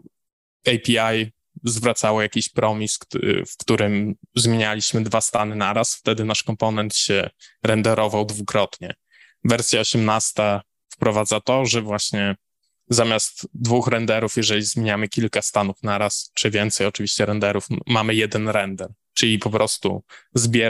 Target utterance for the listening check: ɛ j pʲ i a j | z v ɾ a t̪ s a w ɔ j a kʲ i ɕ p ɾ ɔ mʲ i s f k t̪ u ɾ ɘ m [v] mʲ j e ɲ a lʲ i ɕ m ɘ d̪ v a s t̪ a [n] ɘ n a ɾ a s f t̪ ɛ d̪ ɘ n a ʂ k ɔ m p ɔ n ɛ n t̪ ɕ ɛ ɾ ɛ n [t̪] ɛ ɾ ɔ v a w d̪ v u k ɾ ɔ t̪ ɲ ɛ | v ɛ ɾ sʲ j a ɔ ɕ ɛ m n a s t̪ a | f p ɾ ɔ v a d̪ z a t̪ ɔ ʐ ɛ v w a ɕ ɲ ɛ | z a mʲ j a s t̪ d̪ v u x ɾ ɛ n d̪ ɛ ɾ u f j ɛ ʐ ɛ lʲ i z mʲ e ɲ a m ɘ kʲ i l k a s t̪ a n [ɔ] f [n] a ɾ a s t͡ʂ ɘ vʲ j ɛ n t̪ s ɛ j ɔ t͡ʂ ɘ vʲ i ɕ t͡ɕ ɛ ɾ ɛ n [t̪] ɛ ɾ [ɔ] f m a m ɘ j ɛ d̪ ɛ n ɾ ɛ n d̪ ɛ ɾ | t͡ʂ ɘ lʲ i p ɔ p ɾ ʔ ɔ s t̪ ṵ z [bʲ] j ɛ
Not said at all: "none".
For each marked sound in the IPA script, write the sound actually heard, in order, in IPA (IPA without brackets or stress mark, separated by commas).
z, n, d̪, u, n, d̪, u, bʲ